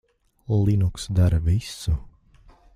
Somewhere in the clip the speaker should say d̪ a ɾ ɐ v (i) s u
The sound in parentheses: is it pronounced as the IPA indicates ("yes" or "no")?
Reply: yes